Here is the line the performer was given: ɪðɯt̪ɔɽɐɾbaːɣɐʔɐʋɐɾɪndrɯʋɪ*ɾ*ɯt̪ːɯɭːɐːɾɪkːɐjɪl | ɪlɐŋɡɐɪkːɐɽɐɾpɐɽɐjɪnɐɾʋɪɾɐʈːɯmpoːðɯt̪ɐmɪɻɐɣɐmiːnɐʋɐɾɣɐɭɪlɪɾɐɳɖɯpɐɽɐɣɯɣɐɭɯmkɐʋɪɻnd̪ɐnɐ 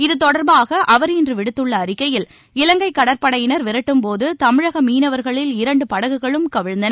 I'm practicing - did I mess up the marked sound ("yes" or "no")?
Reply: yes